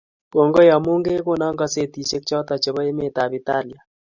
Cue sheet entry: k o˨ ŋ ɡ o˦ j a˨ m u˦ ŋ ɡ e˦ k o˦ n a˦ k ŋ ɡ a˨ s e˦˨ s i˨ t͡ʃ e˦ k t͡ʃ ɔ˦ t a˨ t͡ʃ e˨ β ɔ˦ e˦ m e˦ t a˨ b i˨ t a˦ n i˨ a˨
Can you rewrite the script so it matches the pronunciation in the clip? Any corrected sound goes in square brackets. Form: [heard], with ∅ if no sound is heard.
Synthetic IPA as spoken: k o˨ ŋ ɡ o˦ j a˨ m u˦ ŋ ɡ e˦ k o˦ n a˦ [∅] ŋ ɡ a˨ s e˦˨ [t] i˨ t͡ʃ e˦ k t͡ʃ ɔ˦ t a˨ t͡ʃ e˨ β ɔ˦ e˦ m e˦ t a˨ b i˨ t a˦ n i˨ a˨

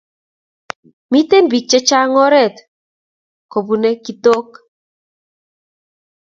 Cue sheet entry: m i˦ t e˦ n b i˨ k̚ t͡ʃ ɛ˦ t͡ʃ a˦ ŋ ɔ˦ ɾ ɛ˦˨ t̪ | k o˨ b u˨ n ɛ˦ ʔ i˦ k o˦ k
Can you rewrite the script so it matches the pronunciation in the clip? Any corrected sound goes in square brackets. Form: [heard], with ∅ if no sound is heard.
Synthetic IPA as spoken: m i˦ t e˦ n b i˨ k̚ t͡ʃ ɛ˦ t͡ʃ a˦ ŋ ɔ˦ ɾ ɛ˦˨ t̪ | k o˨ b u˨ n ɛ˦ [k] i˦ [t] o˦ k

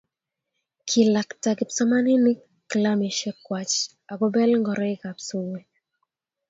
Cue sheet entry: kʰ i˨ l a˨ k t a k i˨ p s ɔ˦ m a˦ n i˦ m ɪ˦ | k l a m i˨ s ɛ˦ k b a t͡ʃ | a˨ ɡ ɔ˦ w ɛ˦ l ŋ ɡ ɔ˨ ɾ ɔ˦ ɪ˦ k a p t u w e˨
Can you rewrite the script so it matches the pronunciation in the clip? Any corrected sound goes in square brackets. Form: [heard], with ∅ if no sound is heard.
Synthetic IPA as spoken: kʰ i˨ l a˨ k t a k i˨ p s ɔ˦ m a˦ n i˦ [n] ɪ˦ | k l a m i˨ [ʃ] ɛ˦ k [w] a t͡ʃ | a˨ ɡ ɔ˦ [b] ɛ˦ l ŋ ɡ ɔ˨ ɾ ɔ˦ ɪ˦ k a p [s] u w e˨

